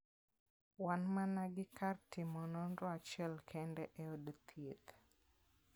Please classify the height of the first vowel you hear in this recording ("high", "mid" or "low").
low